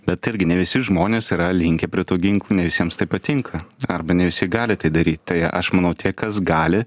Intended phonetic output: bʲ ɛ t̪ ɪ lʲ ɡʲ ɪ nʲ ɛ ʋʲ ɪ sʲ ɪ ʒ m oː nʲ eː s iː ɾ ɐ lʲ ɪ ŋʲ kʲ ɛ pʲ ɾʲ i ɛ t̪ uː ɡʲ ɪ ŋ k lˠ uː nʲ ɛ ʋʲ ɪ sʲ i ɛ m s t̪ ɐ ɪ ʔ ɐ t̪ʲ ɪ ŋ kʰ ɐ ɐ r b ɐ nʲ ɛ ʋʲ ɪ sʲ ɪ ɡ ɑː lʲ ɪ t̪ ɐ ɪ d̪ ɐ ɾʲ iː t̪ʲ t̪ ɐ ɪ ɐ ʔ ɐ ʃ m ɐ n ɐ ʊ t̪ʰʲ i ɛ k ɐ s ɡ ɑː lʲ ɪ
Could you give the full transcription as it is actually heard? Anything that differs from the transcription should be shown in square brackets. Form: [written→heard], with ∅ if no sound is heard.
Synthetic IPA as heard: bʲ ɛ t̪ ɪ [lʲ→ɾʲ] ɡʲ ɪ nʲ ɛ ʋʲ ɪ sʲ ɪ ʒ m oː nʲ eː s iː ɾ ɐ lʲ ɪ ŋʲ kʲ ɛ pʲ ɾʲ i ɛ t̪ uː ɡʲ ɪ ŋ k lˠ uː nʲ ɛ ʋʲ ɪ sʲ i ɛ m s t̪ ɐ ɪ [ʔ→p] ɐ t̪ʲ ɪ ŋ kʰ ɐ ɐ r b ɐ nʲ ɛ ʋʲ ɪ sʲ ɪ ɡ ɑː lʲ ɪ t̪ ɐ ɪ d̪ ɐ ɾʲ iː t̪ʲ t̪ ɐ ɪ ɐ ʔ ɐ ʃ m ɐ n ɐ ʊ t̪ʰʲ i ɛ k ɐ s ɡ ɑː lʲ ɪ